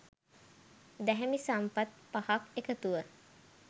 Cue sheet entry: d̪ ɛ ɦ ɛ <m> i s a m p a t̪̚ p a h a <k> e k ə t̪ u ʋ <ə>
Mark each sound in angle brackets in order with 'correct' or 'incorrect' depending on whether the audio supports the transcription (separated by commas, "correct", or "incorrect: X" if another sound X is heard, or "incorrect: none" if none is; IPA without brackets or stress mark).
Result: correct, correct, correct